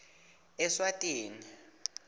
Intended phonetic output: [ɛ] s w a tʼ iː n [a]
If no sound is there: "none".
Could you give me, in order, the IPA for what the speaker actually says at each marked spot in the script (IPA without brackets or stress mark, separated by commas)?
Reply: ɛ, i